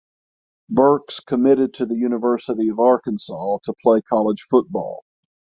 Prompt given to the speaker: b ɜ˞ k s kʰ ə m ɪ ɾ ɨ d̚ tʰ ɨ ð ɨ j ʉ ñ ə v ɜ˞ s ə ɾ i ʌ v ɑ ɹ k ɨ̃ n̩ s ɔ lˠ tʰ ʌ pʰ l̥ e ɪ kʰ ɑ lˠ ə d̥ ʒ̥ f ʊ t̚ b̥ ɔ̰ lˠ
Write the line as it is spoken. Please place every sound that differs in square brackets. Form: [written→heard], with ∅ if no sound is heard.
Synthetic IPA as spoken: b ɜ˞ k s kʰ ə m ɪ ɾ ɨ d̚ tʰ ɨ ð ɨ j ʉ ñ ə v ɜ˞ s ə ɾ i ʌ v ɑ ɹ k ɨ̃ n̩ s ɔ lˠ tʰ [ʌ→ə] pʰ l̥ e ɪ kʰ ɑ lˠ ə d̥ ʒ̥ f ʊ t̚ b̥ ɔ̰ lˠ